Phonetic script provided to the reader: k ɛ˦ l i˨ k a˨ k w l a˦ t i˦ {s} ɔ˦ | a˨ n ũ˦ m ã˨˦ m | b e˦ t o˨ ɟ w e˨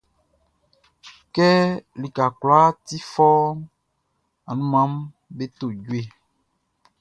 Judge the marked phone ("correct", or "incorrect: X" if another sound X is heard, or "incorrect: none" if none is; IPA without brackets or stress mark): incorrect: f